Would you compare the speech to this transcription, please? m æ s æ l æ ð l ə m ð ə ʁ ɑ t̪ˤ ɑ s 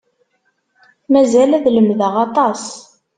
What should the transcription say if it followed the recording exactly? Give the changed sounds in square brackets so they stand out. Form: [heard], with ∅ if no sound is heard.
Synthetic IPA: m æ [z] æ l æ ð l ə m ð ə ʁ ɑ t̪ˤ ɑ s